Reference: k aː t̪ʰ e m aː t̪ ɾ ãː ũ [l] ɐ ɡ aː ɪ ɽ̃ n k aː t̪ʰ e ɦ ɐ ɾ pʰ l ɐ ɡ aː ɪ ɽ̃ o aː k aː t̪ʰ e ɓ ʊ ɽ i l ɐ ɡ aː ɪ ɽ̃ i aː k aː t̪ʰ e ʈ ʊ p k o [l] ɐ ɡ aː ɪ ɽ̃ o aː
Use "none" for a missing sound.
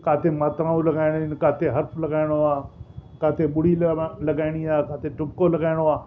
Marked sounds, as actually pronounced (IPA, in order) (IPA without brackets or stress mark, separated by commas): l, l